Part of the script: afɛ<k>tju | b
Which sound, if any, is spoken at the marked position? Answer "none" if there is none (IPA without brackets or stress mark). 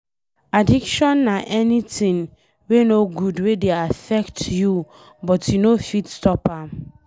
k